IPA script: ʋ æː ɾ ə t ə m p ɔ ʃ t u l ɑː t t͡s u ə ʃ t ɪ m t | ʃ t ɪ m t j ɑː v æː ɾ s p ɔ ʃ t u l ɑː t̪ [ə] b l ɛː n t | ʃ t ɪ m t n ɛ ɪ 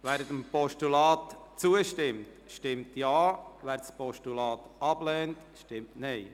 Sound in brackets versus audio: incorrect: ɑ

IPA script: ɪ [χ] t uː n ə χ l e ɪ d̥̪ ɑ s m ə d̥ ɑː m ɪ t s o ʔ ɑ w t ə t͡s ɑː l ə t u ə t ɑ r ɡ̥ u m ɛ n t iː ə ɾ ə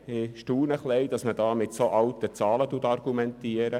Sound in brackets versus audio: incorrect: ʃ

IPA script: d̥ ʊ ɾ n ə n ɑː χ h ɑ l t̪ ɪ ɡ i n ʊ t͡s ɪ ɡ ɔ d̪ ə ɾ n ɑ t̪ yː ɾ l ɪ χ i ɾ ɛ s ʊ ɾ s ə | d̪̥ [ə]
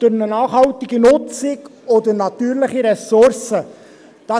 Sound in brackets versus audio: incorrect: ɑ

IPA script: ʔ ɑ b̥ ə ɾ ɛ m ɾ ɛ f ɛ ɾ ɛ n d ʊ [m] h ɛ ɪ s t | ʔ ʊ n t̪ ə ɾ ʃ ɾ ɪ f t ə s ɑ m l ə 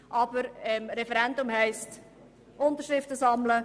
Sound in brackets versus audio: correct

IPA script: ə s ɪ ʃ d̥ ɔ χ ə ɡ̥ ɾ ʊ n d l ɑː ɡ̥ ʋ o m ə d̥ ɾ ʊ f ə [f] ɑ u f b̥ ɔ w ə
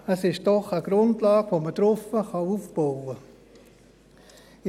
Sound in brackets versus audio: incorrect: χ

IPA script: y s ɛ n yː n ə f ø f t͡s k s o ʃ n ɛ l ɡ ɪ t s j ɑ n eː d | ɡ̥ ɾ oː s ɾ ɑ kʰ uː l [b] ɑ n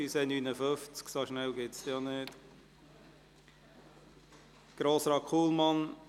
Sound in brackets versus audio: incorrect: m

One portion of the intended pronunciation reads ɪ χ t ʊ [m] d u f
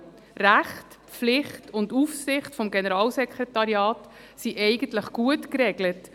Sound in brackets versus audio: incorrect: n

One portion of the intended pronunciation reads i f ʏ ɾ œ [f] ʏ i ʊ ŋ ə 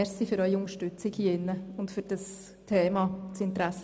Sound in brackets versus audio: incorrect: none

